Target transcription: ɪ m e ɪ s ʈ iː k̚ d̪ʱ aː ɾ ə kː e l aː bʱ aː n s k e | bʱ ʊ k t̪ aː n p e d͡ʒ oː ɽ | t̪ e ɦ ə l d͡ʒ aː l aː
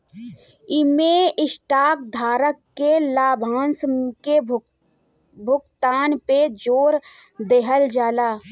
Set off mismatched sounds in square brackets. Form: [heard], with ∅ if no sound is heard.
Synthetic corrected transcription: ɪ m e ɪ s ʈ [aː] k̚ d̪ʱ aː ɾ ə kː e l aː bʱ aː n s k e | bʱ ʊ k t̪ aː n p e d͡ʒ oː [ɾ] | [d̪] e ɦ ə l d͡ʒ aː l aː